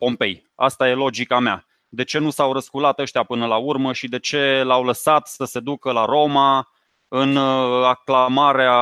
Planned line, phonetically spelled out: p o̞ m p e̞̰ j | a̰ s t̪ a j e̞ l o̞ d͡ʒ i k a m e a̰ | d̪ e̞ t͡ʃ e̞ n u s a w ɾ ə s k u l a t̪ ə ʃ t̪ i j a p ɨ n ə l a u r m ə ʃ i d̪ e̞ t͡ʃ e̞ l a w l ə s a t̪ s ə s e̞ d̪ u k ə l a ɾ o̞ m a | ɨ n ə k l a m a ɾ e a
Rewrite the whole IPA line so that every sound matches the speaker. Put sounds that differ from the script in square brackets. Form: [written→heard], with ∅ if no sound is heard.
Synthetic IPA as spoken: p o̞ m p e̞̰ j | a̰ s t̪ a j e̞ l o̞ d͡ʒ i k a m e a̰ | d̪ e̞ t͡ʃ e̞ n u s a w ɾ ə s k u l a t̪ ə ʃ t̪ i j a p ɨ n ə l a u r m ə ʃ i d̪ e̞ t͡ʃ e̞ l a w l ə s a t̪ s ə s e̞ d̪ u k ə l a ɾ o̞ m a | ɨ n [ə→a] k l a m a ɾ e a